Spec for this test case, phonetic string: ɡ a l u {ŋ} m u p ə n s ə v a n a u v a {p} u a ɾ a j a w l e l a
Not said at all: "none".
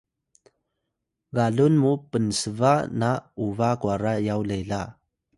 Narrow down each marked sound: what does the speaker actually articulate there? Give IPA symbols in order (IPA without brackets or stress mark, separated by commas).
n, k